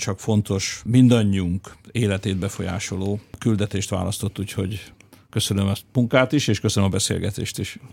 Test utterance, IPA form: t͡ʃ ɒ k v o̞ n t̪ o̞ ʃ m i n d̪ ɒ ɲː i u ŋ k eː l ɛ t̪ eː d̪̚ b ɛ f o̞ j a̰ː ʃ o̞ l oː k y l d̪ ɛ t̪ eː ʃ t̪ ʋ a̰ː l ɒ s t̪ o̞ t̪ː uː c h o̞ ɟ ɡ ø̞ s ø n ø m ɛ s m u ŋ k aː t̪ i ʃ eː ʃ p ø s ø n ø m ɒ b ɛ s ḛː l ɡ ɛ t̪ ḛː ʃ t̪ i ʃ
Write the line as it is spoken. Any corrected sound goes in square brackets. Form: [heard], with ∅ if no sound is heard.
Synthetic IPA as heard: t͡ʃ ɒ k [f] o̞ n t̪ o̞ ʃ m i n d̪ ɒ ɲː i u ŋ k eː l ɛ t̪ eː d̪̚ b ɛ f o̞ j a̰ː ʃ o̞ l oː k y l d̪ ɛ t̪ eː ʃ t̪ ʋ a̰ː l ɒ s t̪ o̞ t̪ː uː c h o̞ ɟ [k] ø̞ s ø n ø m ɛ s m u ŋ k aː t̪ i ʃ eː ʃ [k] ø s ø n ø m ɒ b ɛ s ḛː l ɡ ɛ t̪ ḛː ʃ t̪ i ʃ